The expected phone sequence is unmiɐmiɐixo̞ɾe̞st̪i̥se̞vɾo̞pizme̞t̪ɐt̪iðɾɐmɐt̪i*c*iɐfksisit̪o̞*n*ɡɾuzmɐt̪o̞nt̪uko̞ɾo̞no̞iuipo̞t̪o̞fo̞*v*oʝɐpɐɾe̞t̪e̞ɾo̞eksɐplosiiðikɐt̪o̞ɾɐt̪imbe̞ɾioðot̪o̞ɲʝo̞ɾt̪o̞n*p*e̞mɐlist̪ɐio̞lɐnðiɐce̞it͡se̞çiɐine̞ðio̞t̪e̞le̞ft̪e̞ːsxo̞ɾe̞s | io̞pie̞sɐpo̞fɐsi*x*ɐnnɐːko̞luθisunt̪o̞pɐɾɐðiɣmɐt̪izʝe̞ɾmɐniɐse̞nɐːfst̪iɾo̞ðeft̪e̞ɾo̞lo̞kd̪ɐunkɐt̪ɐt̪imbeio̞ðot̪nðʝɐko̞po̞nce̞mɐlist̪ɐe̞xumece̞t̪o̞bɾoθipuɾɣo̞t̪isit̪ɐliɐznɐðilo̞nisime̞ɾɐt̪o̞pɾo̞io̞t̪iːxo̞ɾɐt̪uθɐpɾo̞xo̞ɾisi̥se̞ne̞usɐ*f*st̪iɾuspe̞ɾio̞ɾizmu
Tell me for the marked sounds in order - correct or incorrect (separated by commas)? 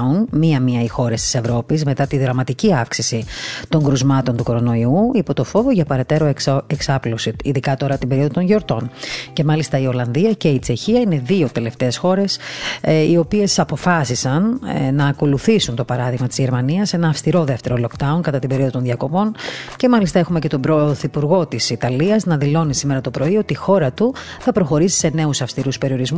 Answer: correct, incorrect, correct, incorrect, incorrect, correct